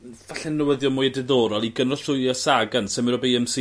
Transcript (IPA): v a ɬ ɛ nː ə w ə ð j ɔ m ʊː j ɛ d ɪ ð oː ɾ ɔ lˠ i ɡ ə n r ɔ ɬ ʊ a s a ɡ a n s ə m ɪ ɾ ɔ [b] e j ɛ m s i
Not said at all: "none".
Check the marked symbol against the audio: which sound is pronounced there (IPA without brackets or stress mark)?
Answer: b